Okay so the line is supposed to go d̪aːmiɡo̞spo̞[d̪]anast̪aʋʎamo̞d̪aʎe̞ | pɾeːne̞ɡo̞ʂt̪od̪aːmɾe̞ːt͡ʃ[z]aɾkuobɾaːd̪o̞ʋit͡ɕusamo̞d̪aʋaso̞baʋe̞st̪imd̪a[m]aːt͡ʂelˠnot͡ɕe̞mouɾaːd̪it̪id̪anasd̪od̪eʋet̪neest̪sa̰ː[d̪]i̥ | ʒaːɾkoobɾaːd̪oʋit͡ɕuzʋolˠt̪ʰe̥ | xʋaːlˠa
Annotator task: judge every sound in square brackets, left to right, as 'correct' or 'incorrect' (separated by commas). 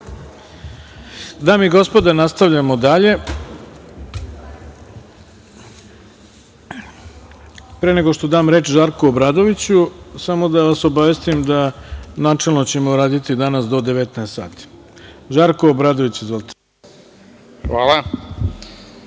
correct, incorrect, incorrect, incorrect